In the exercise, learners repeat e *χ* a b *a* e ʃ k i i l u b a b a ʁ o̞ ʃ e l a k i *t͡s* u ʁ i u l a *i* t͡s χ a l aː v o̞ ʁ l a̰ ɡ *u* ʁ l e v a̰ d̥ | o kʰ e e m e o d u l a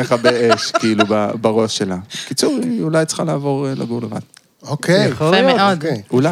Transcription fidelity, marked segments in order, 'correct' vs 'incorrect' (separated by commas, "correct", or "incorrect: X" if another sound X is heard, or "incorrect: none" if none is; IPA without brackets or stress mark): correct, incorrect: e, correct, incorrect: j, correct